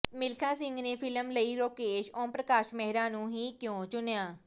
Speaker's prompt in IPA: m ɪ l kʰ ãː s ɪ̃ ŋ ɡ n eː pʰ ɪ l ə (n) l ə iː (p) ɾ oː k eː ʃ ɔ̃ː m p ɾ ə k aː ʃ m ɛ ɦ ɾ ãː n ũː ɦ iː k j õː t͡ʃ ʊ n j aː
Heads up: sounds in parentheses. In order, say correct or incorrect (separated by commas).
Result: incorrect, incorrect